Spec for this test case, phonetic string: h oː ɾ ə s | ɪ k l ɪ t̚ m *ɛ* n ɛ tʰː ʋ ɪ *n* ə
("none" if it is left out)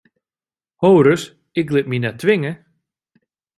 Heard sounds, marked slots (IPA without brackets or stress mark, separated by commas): i, ŋ